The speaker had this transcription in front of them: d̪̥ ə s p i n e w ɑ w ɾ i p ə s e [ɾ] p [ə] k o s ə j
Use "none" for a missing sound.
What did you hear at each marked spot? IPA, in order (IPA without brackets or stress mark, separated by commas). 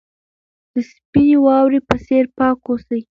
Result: ɾ, ɑ